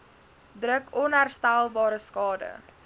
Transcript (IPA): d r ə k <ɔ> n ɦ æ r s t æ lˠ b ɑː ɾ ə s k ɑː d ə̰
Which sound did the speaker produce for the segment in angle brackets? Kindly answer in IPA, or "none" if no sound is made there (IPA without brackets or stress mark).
ɔ